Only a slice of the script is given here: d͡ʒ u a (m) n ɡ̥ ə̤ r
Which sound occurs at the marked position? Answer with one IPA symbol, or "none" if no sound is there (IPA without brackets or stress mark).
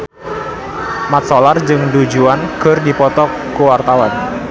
none